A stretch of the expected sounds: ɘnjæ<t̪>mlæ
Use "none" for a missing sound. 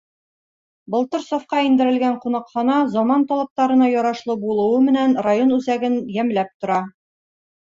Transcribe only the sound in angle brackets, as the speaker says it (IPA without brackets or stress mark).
none